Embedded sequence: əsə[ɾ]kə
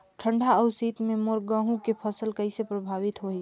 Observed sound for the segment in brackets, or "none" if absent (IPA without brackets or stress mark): l